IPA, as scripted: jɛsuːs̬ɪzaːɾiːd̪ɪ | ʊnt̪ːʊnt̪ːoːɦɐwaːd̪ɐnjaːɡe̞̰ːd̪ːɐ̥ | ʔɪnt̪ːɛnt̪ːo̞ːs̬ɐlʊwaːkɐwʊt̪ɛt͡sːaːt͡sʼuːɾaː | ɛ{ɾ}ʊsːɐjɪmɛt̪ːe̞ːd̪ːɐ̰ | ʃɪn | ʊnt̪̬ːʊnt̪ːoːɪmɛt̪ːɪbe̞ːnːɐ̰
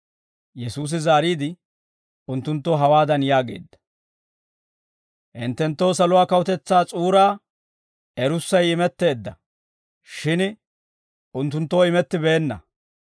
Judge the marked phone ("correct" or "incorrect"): correct